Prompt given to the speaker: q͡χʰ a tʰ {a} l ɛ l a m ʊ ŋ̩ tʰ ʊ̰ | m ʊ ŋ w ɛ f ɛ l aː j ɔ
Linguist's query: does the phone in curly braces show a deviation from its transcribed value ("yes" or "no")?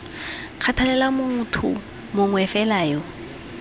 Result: no